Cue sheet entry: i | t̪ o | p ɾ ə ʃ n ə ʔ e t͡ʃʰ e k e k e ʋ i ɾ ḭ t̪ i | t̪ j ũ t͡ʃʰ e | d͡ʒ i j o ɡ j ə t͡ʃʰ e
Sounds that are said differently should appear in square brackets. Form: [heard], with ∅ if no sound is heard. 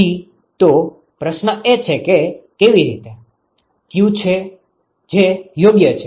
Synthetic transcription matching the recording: i | t̪ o | p ɾ ə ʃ n ə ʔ e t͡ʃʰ e k e k e ʋ i ɾ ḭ t̪ [e] | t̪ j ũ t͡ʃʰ e | d͡ʒ [e] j o ɡ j ə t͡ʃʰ e